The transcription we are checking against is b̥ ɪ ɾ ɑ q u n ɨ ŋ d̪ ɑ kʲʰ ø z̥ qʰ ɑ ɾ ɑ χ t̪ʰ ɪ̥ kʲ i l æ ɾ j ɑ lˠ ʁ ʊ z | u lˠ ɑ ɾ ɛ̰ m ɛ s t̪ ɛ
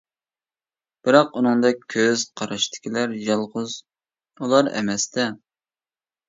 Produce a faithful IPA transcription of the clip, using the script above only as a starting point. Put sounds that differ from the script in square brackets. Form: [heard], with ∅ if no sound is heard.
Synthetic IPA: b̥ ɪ ɾ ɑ q u n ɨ ŋ d̪ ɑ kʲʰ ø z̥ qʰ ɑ ɾ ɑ [ʃ] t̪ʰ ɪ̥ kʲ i l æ ɾ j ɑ lˠ ʁ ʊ z | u lˠ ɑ ɾ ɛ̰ m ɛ s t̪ ɛ